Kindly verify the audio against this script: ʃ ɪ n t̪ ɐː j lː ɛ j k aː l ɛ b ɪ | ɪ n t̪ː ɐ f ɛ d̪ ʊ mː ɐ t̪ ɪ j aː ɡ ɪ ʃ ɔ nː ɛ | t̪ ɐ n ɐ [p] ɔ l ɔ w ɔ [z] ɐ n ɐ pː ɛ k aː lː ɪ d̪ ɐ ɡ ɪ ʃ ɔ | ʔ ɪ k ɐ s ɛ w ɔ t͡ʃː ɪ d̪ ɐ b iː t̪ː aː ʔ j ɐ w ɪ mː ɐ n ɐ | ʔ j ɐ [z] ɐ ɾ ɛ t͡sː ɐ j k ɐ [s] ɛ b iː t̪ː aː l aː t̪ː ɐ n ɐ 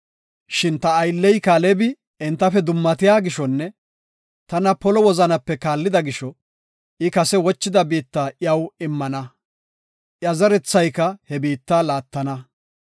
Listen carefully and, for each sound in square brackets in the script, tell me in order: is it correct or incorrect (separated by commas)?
correct, correct, correct, incorrect